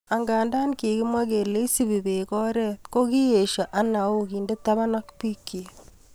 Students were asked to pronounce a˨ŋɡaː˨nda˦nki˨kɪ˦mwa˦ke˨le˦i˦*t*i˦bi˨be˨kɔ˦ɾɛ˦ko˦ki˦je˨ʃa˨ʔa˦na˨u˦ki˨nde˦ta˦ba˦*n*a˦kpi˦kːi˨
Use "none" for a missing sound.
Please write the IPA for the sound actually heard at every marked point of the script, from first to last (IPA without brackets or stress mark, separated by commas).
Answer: s, n